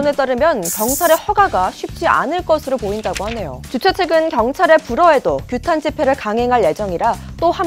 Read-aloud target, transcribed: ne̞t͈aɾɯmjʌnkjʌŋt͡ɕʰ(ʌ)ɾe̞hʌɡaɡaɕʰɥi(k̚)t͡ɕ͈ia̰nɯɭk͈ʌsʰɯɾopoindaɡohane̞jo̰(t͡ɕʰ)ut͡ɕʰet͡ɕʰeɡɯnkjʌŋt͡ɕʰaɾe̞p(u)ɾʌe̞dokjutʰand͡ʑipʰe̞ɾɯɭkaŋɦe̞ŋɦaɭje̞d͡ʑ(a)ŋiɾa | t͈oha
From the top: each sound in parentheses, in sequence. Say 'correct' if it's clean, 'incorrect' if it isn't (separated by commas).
incorrect, incorrect, incorrect, correct, incorrect